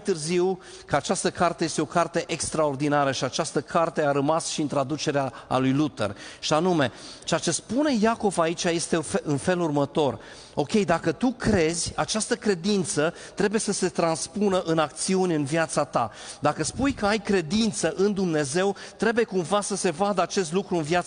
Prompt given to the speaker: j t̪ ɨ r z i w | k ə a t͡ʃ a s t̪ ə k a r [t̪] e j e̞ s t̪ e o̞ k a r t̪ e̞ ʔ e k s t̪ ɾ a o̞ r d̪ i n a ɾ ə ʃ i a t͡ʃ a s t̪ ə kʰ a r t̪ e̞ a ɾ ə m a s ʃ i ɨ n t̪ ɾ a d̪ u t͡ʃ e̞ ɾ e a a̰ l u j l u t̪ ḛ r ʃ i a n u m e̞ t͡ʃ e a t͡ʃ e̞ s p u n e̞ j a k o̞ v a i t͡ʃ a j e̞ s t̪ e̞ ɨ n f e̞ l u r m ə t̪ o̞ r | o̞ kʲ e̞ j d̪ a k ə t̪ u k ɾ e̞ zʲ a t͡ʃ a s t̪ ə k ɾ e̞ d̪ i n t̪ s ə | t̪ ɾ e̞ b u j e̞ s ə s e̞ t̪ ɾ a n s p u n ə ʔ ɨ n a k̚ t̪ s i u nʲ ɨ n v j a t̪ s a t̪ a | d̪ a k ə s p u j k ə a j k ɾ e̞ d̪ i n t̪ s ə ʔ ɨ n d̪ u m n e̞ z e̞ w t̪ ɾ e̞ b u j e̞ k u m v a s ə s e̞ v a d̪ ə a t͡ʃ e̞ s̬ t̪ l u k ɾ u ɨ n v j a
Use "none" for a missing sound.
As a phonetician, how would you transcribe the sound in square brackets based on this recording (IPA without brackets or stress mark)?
t̪